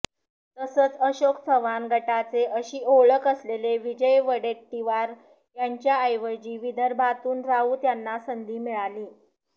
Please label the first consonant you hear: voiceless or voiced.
voiceless